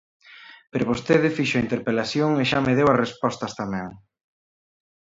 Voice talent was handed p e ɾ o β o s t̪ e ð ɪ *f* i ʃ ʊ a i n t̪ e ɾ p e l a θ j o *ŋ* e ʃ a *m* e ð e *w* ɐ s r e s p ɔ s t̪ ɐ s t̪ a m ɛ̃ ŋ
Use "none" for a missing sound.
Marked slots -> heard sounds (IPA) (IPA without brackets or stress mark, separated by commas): f, ŋ, m, w